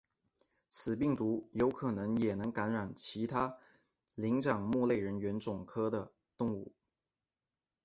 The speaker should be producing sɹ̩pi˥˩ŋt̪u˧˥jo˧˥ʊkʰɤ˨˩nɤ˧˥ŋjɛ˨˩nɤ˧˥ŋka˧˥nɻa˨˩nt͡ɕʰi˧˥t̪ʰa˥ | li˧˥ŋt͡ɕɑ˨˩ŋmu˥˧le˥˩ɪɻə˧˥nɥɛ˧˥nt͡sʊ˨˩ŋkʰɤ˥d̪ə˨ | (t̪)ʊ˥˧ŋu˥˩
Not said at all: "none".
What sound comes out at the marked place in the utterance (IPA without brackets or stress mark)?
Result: t̪